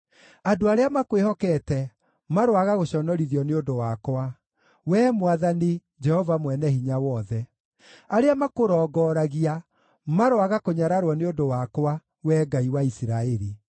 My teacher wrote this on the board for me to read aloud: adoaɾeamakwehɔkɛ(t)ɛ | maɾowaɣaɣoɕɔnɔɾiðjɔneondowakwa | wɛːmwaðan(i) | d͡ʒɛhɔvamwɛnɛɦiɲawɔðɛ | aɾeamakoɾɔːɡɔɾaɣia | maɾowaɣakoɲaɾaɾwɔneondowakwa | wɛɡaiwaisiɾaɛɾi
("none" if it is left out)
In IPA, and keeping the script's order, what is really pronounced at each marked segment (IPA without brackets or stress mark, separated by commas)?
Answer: t, i